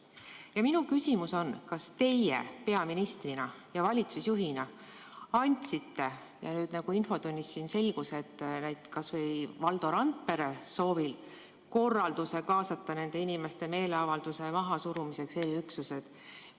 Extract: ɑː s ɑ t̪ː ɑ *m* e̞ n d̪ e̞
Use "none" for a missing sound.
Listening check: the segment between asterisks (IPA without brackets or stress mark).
n